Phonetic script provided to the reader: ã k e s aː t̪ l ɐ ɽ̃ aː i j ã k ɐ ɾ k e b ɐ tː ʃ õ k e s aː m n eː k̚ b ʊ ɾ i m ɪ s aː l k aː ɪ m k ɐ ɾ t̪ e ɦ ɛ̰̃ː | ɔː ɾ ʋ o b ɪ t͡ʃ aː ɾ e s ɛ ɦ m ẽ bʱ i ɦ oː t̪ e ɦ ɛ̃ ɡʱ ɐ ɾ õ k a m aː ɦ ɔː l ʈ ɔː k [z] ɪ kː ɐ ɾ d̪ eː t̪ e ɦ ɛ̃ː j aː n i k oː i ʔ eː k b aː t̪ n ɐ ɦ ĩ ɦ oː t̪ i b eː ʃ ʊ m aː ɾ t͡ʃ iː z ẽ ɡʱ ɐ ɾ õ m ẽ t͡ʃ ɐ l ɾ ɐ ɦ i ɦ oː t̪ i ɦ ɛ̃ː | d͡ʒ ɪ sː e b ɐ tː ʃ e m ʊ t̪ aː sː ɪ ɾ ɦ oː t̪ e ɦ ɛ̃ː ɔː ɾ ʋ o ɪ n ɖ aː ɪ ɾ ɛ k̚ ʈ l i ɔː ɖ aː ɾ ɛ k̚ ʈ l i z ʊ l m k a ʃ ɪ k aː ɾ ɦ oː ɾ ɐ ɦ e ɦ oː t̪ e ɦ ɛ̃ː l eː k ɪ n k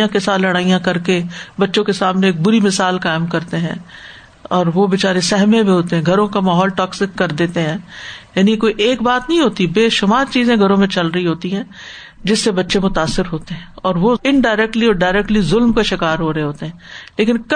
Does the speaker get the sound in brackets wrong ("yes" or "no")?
yes